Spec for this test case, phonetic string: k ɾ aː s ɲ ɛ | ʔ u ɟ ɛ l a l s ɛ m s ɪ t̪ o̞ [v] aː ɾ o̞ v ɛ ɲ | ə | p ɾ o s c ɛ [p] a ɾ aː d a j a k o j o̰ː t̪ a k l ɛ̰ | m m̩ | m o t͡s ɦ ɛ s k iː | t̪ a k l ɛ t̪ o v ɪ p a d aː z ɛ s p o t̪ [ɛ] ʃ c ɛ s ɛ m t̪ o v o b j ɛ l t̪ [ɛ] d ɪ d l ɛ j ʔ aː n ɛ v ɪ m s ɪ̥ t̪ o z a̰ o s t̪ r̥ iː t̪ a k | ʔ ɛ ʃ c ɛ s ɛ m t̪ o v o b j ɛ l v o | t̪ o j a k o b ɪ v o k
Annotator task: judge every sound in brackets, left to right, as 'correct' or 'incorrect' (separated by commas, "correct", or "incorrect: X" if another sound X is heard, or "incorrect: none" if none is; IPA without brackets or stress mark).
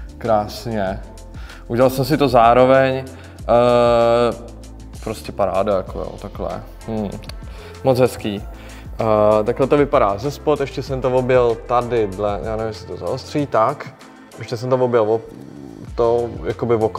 incorrect: z, correct, correct, incorrect: a